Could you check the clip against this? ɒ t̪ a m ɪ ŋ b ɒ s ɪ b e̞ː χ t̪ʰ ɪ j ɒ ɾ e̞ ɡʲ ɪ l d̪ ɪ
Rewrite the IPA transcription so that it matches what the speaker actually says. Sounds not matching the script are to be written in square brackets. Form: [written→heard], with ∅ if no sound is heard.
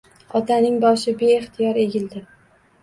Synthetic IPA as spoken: ɒ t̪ a [m→n] ɪ ŋ b ɒ [s→ʃ] ɪ b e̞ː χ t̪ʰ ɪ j ɒ ɾ e̞ ɡʲ ɪ l d̪ ɪ